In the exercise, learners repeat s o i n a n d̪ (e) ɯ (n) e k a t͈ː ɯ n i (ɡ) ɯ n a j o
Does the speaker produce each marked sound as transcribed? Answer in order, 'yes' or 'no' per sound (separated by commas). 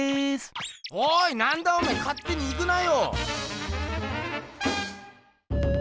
no, no, yes